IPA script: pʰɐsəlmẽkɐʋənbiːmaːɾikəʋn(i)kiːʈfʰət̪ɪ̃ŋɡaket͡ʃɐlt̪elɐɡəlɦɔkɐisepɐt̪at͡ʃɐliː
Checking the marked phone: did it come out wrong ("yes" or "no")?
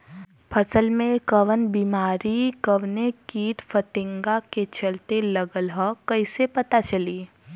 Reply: yes